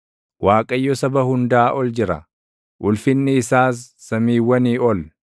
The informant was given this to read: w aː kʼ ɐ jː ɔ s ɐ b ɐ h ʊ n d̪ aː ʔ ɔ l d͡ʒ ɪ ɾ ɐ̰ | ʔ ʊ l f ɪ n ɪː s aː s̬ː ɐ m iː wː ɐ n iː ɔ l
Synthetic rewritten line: w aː kʼ ɐ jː ɔ s ɐ b ɐ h ʊ n d̪ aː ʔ ɔ l d͡ʒ ɪ ɾ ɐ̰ | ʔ ʊ l f ɪ nː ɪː s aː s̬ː ɐ m iː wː ɐ n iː ɔ l